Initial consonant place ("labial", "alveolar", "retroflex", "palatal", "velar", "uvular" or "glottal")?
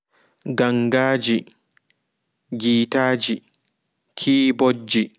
velar